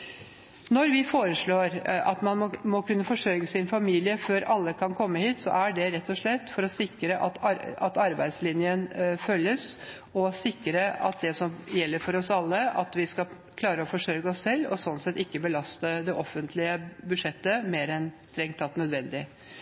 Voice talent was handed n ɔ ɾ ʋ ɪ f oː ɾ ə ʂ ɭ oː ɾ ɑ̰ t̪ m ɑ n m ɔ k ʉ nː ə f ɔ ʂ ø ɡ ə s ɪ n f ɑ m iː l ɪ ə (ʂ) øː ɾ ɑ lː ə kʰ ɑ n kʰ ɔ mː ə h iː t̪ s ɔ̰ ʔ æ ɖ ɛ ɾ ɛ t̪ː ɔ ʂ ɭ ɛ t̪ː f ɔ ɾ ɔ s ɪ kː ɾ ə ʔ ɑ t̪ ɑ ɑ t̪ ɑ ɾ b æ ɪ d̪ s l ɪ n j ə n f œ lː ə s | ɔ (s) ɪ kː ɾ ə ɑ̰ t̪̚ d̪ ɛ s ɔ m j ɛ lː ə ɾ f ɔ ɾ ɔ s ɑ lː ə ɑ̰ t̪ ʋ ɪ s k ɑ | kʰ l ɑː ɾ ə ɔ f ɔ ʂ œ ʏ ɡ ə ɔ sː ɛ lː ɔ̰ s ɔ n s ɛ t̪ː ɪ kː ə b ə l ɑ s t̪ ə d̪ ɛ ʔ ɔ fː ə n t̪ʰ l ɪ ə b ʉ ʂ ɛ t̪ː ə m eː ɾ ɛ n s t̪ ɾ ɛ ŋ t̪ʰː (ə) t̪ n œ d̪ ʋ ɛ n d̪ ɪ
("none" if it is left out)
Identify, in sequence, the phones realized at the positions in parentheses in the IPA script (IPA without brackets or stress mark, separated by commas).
f, s, ɑ